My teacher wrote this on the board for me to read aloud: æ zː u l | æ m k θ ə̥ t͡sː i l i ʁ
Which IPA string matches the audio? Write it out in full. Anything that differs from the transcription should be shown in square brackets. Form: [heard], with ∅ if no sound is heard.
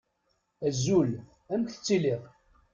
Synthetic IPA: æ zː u l | æ m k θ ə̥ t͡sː i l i ʁ

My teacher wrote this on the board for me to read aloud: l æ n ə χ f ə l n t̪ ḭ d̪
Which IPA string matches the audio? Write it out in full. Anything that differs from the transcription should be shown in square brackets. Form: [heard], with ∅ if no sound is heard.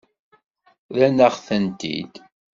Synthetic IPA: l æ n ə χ [θ] ə [∅] n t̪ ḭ d̪

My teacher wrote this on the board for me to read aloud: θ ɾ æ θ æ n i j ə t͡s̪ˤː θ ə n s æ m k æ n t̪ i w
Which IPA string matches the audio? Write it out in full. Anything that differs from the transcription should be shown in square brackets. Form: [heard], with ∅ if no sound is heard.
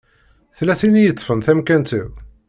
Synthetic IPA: θ [l] æ θ [i] n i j ə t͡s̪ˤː [f] ə n [θ] æ m k æ n t̪ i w

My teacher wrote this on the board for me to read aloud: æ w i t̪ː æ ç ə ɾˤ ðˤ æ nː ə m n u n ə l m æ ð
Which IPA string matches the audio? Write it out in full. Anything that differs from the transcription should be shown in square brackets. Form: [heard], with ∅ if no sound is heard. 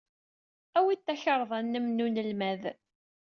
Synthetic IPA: æ w i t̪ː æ ç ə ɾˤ ðˤ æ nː ə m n u n ə l m æ ð

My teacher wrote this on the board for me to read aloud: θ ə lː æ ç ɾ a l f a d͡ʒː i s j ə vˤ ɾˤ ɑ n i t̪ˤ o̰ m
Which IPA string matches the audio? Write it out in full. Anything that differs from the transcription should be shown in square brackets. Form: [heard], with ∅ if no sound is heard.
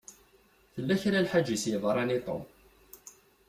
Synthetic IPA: θ ə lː æ ç ɾ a l [ħ] a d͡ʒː i s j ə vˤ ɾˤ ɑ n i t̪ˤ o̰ m

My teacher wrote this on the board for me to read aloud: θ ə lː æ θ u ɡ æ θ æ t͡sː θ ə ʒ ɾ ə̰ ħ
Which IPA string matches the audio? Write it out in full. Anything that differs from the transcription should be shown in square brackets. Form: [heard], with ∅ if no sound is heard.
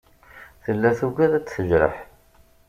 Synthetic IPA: θ ə lː æ θ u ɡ æ [ð] æ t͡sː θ ə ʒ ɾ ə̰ ħ

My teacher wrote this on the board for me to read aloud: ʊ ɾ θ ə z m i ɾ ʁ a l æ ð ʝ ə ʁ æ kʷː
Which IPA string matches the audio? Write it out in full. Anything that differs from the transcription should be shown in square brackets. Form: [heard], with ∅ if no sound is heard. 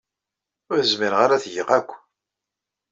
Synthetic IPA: ʊ ɾ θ ə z m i ɾ ʁ a [ɾ] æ [θ] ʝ ə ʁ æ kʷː

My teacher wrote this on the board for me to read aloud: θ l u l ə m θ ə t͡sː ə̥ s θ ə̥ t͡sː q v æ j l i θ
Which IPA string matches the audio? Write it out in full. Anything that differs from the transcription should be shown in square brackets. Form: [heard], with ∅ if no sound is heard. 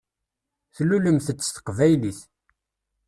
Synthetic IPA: θ l u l ə m θ ə t͡sː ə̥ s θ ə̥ [∅] q v æ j l i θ

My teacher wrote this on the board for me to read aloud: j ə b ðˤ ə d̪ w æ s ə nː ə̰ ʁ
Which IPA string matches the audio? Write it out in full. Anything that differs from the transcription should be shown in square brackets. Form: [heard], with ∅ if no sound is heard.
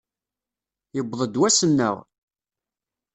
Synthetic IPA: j ə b ðˤ ə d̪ w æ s ə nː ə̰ ʁ

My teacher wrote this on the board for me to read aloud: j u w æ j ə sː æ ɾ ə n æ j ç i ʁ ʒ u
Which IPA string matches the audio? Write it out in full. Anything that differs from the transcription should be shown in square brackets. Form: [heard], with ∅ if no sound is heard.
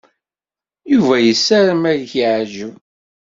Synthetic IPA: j u [v] æ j ə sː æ ɾ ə [m] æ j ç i [ʕ] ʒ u

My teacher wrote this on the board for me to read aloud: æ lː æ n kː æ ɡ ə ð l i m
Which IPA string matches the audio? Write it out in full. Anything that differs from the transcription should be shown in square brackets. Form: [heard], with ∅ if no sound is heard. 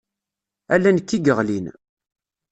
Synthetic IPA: æ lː æ n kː [i] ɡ ə [ʁ] l i [n]

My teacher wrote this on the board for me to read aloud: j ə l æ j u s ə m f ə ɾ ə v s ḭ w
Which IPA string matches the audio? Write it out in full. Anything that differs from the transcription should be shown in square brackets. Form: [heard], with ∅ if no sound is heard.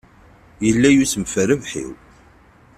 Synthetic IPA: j ə [lː] æ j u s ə m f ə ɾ ə v [ħ] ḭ w

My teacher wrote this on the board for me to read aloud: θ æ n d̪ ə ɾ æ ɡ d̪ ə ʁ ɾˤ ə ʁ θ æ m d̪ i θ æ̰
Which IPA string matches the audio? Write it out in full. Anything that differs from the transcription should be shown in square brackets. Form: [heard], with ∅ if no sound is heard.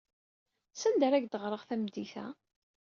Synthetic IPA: [s] æ n d̪ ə ɾ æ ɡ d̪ ə ʁ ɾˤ ə ʁ θ æ m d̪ i θ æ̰

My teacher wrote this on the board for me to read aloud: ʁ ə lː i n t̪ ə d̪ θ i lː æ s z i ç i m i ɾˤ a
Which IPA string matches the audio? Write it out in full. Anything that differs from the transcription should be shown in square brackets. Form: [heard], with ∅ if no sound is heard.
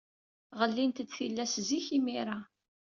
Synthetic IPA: ʁ ə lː i n t̪ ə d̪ θ i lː æ s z i ç i m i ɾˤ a

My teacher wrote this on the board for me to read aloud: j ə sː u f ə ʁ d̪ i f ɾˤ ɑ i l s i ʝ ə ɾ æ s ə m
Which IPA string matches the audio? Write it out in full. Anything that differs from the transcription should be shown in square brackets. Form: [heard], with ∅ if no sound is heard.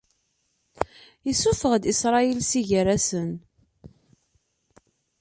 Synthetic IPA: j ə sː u f ə ʁ d̪ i [s] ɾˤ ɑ i l s i ʝ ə ɾ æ s ə [n]

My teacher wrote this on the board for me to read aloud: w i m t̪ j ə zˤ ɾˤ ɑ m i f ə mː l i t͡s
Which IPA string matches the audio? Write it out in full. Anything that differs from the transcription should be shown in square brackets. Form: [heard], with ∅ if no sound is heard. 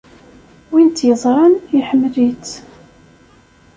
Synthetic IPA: w i [n] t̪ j ə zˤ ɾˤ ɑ [n] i [ħ] ə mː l i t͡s

